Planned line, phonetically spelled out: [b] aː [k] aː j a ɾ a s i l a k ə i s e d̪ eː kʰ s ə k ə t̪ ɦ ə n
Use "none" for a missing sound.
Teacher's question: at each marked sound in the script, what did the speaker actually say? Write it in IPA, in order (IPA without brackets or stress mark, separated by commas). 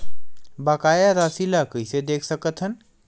b, k